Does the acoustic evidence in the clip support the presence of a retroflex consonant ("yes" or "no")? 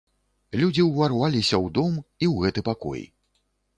no